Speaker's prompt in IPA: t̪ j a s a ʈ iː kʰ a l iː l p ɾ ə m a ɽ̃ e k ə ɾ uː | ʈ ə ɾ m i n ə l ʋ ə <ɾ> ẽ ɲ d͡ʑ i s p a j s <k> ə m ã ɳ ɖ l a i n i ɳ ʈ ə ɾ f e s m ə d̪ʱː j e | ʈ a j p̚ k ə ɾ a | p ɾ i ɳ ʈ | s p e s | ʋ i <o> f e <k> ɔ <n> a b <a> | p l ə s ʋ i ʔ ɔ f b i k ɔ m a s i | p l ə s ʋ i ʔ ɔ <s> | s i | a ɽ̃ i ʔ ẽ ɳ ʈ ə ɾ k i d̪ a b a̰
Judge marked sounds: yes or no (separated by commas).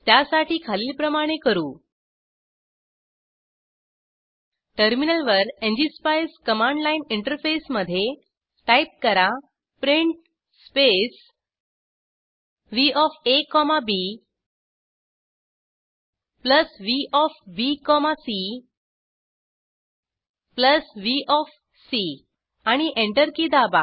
yes, yes, no, yes, no, no, no